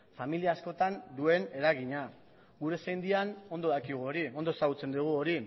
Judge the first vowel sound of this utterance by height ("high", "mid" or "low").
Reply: low